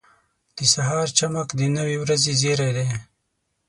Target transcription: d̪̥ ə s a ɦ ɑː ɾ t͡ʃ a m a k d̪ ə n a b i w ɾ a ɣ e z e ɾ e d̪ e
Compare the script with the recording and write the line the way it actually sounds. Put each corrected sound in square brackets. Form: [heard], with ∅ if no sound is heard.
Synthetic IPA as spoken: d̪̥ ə s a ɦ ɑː ɾ t͡ʃ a m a k d̪ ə n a [w] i w ɾ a [z] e z e ɾ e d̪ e